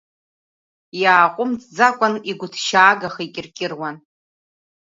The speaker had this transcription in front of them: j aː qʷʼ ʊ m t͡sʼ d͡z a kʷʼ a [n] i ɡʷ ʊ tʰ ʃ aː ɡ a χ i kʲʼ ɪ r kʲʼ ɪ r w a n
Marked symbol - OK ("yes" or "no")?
yes